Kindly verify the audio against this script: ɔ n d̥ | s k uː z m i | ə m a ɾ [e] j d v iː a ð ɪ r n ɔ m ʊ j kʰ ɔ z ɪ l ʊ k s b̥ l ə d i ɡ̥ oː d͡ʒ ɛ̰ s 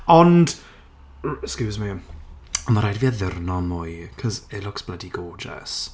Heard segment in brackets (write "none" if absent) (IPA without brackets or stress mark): a